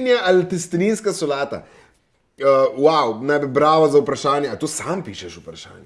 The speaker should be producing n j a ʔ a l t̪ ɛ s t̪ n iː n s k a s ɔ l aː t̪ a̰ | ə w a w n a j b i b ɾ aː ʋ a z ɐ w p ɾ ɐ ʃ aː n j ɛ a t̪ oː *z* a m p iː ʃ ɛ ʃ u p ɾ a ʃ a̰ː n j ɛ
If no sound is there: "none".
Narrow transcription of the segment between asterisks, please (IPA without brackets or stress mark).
s